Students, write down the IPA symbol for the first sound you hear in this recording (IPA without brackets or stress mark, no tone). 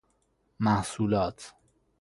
m